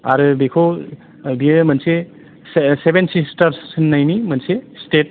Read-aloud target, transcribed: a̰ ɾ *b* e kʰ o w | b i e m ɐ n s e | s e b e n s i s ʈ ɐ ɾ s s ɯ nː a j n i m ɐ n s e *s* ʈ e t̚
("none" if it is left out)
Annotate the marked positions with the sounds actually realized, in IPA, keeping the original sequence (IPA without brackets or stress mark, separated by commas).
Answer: b, s